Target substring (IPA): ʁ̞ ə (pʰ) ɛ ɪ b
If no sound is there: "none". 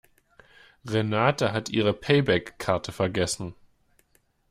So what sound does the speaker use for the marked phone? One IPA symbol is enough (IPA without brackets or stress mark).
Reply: pʰ